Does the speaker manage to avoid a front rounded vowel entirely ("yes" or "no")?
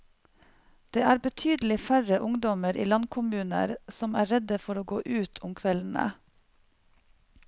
no